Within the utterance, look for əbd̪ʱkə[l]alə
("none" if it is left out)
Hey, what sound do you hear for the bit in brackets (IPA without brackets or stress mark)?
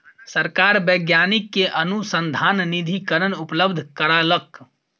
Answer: ɾ